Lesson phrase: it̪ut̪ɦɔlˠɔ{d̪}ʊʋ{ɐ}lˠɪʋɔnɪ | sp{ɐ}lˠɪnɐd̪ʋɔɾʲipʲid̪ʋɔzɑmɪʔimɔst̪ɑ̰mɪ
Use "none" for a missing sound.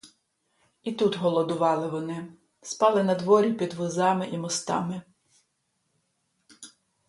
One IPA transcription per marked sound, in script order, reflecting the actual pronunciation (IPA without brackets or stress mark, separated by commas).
d̪, ɑ, ɑ